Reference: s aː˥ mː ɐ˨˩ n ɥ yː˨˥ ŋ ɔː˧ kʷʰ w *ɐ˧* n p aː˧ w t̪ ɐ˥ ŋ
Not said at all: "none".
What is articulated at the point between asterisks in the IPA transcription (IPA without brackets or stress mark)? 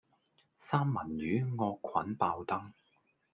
ɐ˨˥